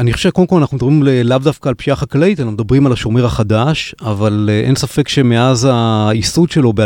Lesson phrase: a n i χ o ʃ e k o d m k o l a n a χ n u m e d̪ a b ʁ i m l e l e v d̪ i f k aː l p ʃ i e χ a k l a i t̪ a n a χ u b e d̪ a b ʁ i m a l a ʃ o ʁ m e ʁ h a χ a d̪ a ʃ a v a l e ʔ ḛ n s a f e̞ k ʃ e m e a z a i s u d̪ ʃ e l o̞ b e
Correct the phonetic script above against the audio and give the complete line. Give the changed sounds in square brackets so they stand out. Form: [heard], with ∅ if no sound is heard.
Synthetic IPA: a n i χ o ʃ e k o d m k o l a n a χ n u m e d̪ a b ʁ i m l e l [a] v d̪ [a] f k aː l p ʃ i [a] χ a k l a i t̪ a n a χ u [m] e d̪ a b ʁ i m a l a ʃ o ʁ m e ʁ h a χ a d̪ a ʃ a v a l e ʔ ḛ n s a f e̞ k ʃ e m e a z a i s u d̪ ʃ e l o̞ b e